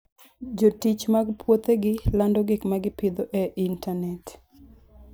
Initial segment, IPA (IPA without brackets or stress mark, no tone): d͡ʒ